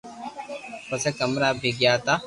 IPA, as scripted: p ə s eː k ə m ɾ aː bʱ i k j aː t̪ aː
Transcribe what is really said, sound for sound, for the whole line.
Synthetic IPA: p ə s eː k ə m ɾ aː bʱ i ɡ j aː t̪ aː